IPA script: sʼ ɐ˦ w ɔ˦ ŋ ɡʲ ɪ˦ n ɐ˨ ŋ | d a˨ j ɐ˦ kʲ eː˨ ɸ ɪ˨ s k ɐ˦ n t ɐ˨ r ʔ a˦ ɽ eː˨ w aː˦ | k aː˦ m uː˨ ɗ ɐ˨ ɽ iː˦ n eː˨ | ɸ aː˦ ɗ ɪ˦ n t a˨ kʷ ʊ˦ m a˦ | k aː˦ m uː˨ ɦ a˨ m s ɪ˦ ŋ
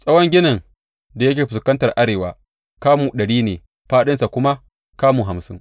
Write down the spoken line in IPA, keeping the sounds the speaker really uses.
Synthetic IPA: sʼ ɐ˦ w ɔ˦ ŋ ɡʲ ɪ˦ n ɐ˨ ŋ | d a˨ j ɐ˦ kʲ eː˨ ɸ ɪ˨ s k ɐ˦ n t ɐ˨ r ʔ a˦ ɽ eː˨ w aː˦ | k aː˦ m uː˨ ɗ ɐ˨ ɽ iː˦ n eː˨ | ɸ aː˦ ɗ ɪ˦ n s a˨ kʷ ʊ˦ m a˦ | k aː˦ m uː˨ ɦ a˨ m s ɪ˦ ŋ